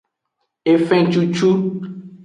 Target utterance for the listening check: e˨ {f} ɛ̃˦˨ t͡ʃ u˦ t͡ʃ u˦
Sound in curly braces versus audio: correct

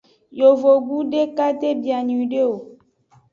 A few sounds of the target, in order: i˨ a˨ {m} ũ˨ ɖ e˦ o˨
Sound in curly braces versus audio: incorrect: ɲ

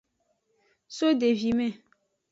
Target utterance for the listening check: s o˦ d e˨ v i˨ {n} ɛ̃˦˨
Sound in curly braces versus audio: incorrect: m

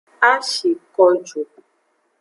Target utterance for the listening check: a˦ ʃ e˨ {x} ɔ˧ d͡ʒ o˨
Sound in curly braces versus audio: incorrect: k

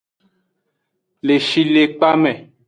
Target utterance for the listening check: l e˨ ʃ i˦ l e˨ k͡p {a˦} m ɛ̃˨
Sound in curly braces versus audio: correct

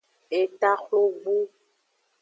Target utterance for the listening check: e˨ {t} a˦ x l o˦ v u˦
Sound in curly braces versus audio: correct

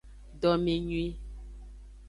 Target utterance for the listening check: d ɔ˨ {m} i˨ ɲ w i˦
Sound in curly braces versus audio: correct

